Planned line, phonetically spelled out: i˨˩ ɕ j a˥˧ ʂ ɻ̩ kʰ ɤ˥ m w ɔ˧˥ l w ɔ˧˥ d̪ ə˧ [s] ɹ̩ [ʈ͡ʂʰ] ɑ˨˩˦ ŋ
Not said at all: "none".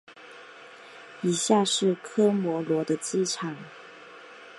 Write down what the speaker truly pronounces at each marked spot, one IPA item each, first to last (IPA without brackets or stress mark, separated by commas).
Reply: t͡s, ʈ͡ʂʰ